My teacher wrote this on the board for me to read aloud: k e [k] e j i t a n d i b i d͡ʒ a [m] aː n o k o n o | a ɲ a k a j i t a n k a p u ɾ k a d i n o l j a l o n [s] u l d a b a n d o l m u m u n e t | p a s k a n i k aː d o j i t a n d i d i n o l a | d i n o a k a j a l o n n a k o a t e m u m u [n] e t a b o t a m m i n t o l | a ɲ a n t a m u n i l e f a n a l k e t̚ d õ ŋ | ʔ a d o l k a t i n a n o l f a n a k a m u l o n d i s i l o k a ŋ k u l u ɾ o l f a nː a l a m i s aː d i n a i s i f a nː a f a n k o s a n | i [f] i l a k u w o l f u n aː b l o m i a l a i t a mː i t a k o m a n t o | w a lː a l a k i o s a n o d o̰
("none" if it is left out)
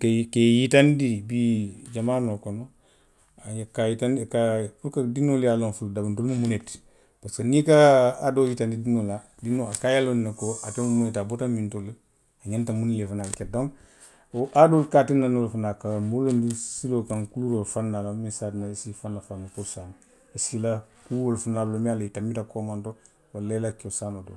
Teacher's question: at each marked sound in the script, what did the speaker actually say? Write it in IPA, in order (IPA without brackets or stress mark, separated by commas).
k, m, f, n, s